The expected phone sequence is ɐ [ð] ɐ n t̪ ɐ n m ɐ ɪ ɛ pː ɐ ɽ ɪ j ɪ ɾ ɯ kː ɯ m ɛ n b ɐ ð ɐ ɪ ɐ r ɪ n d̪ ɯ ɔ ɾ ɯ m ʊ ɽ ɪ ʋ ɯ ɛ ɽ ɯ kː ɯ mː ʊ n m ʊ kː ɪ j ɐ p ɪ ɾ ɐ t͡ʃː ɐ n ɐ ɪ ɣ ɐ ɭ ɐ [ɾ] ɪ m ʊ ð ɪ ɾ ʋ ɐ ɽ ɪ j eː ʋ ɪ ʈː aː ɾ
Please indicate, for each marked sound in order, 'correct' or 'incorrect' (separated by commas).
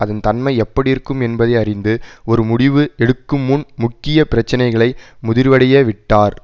correct, incorrect